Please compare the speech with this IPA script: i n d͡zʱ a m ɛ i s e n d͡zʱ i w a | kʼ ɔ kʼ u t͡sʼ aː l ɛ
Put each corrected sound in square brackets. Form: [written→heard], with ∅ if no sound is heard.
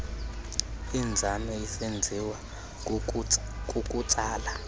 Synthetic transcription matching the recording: i n d͡zʱ a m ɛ i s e n d͡zʱ i w a | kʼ [ɔ→u] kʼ u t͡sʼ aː l [ɛ→a]